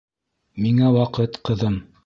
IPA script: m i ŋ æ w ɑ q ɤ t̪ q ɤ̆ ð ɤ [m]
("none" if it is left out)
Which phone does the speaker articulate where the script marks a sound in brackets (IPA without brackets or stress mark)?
m